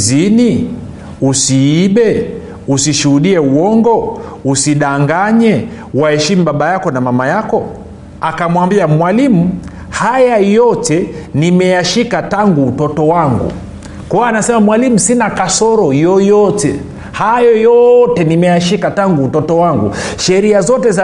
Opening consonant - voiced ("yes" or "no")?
yes